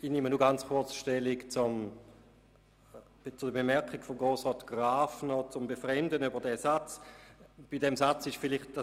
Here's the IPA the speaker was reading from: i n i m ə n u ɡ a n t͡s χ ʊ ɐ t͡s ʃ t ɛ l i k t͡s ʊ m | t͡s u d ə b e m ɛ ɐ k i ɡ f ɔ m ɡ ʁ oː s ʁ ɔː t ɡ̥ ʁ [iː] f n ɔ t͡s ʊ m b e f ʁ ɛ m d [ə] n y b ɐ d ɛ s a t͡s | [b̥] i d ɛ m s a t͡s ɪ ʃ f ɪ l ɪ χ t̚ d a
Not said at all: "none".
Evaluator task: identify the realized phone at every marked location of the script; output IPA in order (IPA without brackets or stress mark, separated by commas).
aː, ə, b̥